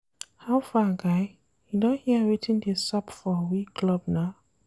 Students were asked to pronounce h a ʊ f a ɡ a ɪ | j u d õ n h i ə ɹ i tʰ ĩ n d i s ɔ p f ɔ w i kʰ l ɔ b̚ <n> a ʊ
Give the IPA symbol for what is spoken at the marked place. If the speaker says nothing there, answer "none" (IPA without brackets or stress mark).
n